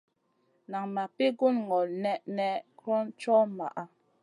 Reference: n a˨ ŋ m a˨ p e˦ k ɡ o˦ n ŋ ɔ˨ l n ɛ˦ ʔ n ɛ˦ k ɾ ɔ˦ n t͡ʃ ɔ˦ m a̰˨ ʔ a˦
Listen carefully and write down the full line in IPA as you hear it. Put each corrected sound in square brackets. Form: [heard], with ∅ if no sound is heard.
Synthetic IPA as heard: n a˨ ŋ m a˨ p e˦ [∅] ɡ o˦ n ŋ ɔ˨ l n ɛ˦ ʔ n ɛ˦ k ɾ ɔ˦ n t͡ʃ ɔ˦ m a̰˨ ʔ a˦